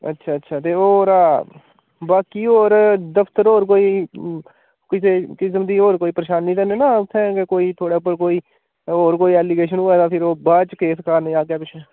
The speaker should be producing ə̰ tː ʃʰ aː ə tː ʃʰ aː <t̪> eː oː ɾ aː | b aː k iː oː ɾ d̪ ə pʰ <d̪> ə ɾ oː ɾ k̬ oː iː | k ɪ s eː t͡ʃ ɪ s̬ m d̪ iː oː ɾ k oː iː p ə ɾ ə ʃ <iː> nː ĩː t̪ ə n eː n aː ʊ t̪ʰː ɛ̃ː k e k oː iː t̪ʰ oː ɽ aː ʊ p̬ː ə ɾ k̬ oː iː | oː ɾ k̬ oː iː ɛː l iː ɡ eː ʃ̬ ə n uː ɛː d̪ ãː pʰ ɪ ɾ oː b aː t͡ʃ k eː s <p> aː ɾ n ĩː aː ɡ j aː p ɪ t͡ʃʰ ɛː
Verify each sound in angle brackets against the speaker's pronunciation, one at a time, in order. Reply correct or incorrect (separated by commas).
correct, incorrect, incorrect, incorrect